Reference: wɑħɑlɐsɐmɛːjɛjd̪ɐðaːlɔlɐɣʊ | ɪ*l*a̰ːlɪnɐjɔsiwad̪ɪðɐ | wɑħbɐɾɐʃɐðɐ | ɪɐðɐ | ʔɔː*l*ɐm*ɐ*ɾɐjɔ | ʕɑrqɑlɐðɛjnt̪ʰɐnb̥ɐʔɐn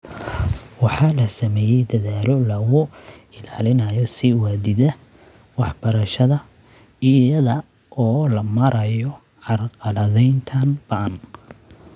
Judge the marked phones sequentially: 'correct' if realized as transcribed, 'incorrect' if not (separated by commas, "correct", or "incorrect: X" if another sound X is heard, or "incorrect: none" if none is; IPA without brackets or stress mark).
correct, correct, correct